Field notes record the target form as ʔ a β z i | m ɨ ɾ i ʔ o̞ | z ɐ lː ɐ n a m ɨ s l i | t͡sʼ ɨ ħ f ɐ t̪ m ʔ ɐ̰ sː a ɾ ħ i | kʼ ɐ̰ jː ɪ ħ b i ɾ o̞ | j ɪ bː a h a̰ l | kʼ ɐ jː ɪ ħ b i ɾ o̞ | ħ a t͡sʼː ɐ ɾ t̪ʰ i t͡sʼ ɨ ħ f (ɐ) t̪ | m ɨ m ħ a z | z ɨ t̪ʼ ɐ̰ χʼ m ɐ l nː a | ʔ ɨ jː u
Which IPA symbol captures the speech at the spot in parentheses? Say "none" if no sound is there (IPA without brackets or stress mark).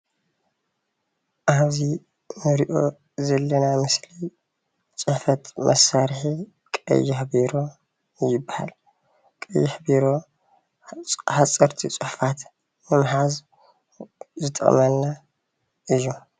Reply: a